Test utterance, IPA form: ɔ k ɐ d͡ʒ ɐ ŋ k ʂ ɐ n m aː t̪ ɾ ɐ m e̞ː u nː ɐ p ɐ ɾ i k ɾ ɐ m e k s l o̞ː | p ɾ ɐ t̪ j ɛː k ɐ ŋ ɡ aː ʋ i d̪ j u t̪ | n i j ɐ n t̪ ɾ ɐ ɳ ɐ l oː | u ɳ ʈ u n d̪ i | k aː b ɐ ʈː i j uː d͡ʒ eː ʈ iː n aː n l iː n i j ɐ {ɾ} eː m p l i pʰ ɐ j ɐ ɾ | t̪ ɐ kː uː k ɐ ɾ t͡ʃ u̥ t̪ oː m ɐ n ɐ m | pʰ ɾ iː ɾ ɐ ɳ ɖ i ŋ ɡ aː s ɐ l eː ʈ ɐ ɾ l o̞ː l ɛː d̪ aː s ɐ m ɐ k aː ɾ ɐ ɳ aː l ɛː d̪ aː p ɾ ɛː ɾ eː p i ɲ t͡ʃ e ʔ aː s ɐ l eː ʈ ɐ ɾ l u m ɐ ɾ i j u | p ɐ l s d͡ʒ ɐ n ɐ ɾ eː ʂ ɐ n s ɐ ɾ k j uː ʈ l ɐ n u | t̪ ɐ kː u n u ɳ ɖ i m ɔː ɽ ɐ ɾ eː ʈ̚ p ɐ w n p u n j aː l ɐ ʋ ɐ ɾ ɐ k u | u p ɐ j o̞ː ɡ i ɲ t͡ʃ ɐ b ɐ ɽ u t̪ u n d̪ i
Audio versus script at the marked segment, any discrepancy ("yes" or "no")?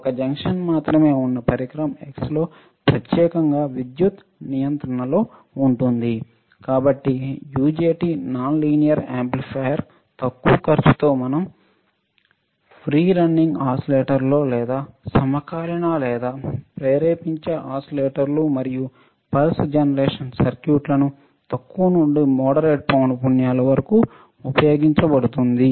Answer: no